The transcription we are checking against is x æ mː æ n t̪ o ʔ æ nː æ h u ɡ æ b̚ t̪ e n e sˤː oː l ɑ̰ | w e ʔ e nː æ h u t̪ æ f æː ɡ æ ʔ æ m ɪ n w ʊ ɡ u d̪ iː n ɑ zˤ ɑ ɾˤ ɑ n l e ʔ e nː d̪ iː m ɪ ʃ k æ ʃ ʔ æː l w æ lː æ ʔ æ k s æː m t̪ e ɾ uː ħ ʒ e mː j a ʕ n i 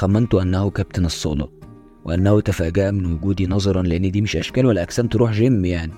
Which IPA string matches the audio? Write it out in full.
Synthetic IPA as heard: x æ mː æ n t̪ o ʔ æ nː æ h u k æ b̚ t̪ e n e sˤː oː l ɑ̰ | w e ʔ æ nː æ h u t̪ æ f æː ɡ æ ʔ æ m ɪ n w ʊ ɡ uː d̪ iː n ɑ zˤ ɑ ɾˤ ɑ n l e ʔ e nː d̪ iː m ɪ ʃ ʔ æ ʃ k æː l w æ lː æ ʔ æ k s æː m t̪ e ɾ uː ħ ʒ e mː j a ʕ n i